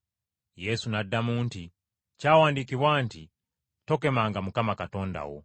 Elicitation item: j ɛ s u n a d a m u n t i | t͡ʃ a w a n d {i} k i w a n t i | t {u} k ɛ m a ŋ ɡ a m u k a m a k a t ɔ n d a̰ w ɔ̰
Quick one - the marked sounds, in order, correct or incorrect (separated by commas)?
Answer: correct, incorrect